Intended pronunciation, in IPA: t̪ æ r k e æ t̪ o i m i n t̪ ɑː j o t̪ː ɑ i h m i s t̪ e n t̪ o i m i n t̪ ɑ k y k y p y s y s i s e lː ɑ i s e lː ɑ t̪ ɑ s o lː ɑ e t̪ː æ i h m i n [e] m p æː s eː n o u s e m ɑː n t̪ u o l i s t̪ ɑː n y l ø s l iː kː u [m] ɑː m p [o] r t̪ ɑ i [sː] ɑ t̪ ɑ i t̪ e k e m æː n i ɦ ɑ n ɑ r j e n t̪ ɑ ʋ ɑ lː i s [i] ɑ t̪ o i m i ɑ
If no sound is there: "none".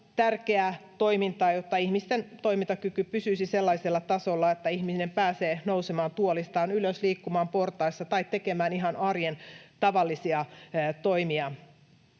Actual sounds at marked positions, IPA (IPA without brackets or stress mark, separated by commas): e, m, o, sː, i